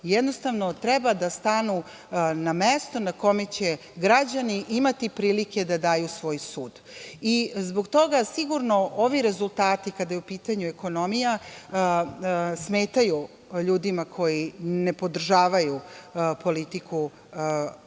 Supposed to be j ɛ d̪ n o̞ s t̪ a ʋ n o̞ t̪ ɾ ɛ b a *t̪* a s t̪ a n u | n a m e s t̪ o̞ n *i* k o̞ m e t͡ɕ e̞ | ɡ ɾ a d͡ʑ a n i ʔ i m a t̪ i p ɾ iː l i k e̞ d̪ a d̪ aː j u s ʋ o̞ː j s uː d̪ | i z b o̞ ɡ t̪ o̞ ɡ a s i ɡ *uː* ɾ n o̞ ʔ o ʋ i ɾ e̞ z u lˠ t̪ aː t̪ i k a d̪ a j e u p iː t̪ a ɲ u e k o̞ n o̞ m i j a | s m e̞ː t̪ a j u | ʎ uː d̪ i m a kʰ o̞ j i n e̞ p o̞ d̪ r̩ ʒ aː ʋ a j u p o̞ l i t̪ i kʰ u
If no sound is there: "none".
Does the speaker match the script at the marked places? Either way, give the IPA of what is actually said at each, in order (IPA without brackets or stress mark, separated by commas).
d̪, a, u